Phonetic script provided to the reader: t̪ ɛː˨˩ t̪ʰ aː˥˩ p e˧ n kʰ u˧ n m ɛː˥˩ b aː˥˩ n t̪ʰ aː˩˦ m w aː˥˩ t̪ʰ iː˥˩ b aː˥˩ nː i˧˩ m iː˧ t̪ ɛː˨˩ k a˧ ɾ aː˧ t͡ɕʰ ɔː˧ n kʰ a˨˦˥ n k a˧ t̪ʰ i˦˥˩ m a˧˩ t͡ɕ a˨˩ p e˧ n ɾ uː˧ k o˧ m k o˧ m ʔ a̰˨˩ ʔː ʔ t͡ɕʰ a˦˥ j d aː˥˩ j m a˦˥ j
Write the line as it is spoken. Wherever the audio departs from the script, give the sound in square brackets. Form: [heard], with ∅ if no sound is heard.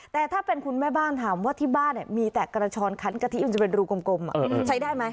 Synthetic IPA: t̪ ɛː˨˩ t̪ʰ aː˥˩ p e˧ n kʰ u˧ n m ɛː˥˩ b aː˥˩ n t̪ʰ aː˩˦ m w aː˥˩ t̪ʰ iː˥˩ b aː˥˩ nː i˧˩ m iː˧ t̪ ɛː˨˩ k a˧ ɾ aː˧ t͡ɕʰ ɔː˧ n kʰ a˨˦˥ n k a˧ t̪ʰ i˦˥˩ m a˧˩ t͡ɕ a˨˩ p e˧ n ɾ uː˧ k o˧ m k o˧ m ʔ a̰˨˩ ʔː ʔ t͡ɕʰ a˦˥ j d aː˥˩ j m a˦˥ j